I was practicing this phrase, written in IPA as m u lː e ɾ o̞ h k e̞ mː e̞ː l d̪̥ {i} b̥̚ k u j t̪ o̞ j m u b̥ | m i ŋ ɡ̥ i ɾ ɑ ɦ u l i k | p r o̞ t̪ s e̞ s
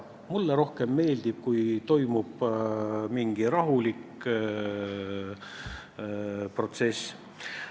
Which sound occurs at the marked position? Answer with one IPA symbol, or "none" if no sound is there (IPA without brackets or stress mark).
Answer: i